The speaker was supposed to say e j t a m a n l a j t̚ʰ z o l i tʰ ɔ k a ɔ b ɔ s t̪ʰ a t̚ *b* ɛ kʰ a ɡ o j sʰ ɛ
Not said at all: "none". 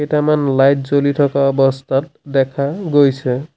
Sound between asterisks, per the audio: d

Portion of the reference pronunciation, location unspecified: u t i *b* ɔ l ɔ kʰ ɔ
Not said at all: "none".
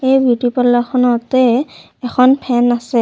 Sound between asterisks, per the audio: p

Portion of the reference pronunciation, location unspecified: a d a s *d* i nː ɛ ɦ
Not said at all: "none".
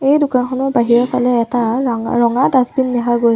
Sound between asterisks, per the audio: b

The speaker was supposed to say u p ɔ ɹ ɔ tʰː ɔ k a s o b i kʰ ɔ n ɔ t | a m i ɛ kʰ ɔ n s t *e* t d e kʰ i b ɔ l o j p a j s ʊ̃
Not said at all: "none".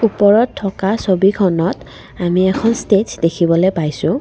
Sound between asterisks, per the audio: e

